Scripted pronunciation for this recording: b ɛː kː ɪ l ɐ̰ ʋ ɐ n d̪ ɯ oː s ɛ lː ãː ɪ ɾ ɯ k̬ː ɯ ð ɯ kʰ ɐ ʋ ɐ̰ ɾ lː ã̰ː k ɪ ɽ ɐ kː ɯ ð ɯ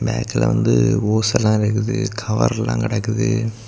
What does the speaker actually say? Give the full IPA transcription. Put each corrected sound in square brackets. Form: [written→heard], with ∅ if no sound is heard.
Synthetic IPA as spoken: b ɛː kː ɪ l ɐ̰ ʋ ɐ n d̪ ɯ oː s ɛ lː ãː ɪ ɾ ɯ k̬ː ɯ ð ɯ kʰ ɐ ʋ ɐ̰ ɾ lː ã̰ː k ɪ ɽ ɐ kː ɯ ð ɯ